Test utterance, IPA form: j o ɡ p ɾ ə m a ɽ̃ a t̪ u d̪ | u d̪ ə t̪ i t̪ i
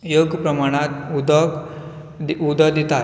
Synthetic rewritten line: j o ɡ p ɾ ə m a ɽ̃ a t̪ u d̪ | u d̪ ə d̪ i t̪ a